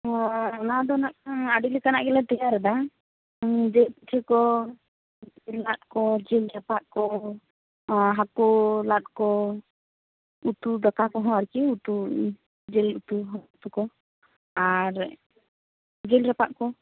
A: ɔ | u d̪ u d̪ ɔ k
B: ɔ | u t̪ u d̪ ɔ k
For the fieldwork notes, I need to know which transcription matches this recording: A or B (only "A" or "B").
B